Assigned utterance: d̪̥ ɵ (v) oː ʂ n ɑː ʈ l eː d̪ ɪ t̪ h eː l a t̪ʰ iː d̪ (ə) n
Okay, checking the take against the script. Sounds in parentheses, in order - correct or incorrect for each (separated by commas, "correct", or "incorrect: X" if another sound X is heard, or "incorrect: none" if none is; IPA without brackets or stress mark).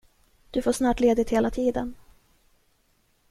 incorrect: f, correct